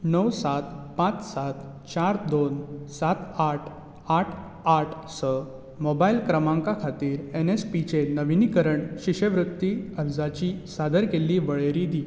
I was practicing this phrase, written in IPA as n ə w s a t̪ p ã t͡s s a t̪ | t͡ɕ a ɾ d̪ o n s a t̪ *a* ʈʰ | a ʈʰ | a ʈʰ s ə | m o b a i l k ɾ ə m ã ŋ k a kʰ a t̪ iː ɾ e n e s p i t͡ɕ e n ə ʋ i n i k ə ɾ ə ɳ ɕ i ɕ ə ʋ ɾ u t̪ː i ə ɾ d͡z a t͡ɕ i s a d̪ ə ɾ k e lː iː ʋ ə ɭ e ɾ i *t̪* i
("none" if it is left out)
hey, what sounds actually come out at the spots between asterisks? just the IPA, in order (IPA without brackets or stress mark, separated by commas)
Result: a, d̪